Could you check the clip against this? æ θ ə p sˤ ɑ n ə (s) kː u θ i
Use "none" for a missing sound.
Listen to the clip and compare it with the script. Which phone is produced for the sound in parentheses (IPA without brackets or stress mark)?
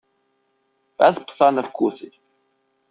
f